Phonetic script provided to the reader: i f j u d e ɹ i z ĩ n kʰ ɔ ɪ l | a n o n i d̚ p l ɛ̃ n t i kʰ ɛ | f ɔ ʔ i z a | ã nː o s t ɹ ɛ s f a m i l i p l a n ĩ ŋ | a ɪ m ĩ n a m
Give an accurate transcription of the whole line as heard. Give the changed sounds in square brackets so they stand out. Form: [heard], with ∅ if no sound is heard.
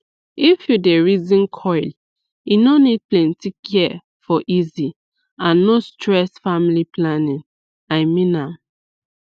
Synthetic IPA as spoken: i f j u d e ɹ i z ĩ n kʰ ɔ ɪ l | [i] n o n i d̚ p l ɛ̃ n t i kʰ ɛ | f ɔ ʔ i z [i] | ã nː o s t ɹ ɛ s f a m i l i p l a n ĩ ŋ | a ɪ m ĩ n a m